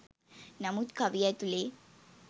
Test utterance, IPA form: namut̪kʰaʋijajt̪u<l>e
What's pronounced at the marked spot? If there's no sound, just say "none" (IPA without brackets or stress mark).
l